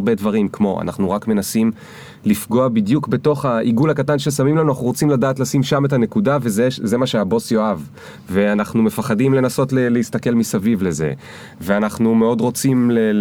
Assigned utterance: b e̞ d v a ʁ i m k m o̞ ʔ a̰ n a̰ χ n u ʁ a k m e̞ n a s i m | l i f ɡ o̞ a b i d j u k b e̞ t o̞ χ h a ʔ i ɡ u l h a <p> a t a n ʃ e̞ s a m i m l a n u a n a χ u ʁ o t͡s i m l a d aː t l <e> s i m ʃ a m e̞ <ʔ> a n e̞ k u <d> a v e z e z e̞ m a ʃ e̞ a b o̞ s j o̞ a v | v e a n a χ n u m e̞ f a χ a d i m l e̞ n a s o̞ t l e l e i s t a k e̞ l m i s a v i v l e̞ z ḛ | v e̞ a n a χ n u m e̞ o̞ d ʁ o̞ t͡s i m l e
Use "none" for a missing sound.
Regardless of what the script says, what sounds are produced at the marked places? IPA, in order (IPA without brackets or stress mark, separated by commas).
k, a, t, d